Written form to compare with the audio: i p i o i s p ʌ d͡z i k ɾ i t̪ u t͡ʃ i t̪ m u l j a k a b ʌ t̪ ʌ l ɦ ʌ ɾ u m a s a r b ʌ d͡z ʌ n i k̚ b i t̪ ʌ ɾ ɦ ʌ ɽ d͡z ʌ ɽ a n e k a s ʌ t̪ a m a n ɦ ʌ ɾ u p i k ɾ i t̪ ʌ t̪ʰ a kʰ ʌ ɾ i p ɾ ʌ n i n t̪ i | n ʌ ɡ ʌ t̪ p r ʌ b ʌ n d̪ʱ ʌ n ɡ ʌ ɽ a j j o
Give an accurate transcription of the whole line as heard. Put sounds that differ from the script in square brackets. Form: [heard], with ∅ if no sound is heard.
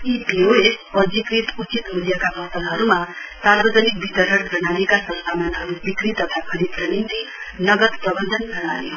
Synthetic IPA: i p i o [e] s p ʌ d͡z i k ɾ i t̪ u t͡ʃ i t̪ m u l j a k a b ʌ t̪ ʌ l ɦ ʌ ɾ u m a s a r b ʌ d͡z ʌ n i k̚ b i t̪ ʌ ɾ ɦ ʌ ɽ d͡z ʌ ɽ a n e k a s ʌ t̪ a m a n ɦ ʌ ɾ u [b] i k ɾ i t̪ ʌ t̪ʰ a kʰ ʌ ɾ i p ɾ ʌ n i n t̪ i | n ʌ ɡ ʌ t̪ p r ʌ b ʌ n d̪ʱ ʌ n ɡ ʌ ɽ a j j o